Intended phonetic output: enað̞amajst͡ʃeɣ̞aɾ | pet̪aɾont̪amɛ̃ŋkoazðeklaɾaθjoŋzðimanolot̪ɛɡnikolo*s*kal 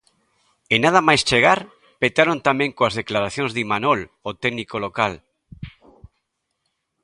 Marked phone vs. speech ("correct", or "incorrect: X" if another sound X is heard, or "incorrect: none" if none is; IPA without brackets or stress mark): incorrect: none